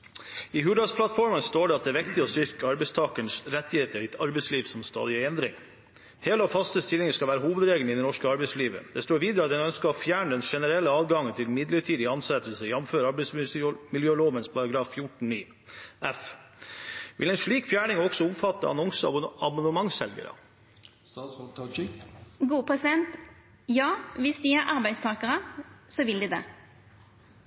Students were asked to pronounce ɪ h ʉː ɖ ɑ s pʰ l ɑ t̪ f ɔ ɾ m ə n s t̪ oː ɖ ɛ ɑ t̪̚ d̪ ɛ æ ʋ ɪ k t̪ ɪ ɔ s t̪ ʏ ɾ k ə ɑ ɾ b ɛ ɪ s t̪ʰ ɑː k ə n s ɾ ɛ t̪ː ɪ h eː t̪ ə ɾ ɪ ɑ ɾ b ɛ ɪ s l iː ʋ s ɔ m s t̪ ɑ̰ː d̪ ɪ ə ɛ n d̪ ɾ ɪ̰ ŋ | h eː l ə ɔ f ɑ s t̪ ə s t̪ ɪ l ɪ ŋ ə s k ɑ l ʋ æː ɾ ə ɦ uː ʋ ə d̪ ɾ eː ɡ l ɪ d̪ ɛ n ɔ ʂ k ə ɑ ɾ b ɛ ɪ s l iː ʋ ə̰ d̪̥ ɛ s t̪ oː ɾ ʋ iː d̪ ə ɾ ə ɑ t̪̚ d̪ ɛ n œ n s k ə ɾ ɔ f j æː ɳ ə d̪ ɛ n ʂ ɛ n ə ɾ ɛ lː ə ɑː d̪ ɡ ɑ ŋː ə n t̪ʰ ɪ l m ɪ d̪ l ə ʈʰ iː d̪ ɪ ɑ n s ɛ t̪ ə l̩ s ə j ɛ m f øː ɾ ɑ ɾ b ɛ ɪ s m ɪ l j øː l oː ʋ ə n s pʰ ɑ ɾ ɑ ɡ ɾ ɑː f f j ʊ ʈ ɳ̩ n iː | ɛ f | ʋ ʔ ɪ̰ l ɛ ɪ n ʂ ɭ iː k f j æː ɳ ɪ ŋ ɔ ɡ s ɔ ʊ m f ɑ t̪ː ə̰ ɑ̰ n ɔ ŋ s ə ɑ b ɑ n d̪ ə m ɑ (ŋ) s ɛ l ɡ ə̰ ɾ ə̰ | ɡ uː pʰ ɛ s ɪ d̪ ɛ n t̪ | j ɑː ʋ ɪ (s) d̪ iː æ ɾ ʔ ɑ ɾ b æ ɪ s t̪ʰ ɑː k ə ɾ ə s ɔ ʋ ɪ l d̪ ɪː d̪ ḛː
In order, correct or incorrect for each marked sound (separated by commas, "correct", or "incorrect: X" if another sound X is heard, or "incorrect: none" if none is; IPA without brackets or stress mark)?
correct, correct